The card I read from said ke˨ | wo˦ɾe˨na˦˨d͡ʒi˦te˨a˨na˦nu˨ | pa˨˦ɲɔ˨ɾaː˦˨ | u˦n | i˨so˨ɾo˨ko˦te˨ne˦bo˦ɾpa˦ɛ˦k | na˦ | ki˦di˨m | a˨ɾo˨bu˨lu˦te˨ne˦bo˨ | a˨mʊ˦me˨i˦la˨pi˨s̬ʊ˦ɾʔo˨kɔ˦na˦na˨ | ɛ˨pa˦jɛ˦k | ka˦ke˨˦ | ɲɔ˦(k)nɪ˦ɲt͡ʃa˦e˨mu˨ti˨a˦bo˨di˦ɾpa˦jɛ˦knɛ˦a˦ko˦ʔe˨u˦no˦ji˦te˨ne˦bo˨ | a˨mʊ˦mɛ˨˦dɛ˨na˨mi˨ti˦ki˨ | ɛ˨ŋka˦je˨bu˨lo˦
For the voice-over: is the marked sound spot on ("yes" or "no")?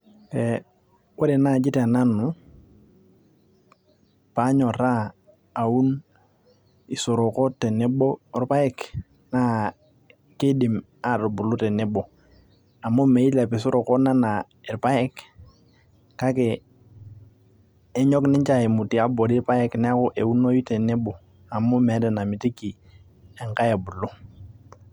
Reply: yes